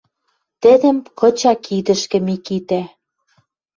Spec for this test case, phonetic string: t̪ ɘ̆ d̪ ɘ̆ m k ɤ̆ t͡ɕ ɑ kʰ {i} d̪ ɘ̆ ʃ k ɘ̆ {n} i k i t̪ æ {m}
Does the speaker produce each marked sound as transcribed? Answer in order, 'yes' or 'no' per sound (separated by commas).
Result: yes, no, no